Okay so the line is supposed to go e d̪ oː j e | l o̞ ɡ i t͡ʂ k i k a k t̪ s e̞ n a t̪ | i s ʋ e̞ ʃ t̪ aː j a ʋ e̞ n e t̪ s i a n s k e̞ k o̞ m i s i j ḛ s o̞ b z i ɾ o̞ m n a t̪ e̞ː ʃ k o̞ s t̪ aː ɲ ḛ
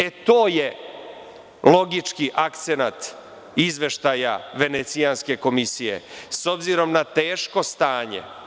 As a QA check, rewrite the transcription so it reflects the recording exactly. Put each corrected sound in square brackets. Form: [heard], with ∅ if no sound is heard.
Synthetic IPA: e [t̪] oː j e | l o̞ ɡ i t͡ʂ k i [ʔ] a k t̪ s e̞ n a t̪ | i [z] ʋ e̞ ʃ t̪ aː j a ʋ e̞ n e t̪ s i a n s k e̞ k o̞ m i s i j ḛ s o̞ b z i ɾ o̞ m n a t̪ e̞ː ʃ k o̞ s t̪ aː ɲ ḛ

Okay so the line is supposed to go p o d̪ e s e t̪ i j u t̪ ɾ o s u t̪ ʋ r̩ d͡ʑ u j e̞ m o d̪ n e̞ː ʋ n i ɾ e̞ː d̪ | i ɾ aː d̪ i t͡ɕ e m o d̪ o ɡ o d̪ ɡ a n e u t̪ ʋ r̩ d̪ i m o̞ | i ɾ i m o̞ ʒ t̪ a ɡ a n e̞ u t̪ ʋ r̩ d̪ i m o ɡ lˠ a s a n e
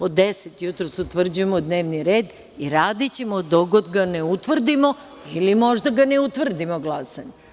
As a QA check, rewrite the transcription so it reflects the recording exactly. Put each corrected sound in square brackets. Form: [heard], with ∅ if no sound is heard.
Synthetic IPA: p o d̪ e s e t̪ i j u t̪ ɾ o s u t̪ ʋ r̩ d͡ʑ u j e̞ m o d̪ n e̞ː ʋ n i ɾ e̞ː d̪ | i ɾ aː d̪ i t͡ɕ e m o d̪ o ɡ o d̪ ɡ a n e u t̪ ʋ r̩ d̪ i m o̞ | i [l] i m o̞ ʒ [d̪] a ɡ a n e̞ u t̪ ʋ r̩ d̪ i m o ɡ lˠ a s a [ɲ] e

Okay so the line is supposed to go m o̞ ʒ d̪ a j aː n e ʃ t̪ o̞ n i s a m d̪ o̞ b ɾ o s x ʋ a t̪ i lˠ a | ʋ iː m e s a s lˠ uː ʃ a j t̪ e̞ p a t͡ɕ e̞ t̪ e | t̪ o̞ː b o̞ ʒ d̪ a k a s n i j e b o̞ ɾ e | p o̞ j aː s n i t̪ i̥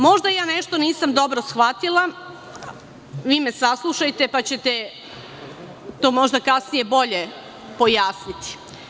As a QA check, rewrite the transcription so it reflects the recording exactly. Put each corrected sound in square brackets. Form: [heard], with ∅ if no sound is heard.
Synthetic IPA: m o̞ ʒ d̪ a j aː n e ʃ t̪ o̞ n [iː] s a m d̪ o̞ b ɾ o s x ʋ a t̪ i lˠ a | ʋ iː m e s a s lˠ [u] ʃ a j t̪ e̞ p a t͡ɕ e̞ t̪ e | t̪ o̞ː [m] o̞ ʒ d̪ a k a s n i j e b o̞ [ʎ] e | p o̞ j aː s n i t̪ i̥

